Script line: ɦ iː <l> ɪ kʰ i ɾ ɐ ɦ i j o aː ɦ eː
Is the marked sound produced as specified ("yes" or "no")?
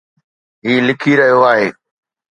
yes